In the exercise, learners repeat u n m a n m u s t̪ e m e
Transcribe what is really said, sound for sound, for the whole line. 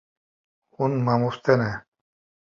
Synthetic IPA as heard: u n m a m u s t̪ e n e